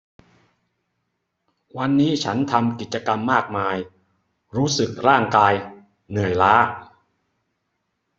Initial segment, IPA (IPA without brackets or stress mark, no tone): w